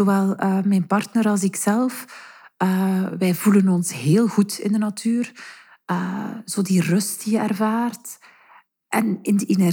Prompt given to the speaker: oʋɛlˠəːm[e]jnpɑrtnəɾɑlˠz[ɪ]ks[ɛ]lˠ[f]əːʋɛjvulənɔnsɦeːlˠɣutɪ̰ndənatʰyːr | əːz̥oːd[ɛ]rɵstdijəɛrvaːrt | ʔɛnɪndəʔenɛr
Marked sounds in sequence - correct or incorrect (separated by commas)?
incorrect, correct, correct, correct, incorrect